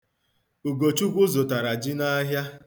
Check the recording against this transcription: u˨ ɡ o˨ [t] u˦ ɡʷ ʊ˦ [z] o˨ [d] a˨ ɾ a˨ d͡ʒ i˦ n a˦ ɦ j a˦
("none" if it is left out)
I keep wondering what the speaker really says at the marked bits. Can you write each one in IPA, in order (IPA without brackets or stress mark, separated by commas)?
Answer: t͡ʃ, z, t